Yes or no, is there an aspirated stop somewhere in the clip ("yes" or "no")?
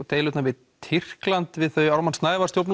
yes